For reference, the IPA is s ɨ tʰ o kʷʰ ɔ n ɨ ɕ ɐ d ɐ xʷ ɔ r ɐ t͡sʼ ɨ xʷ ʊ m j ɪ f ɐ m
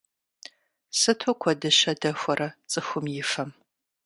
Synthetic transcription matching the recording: s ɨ tʰ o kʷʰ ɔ d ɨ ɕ ɐ d ɐ xʷ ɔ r ɐ t͡sʼ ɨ xʷ ʊ m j ɪ f ɐ m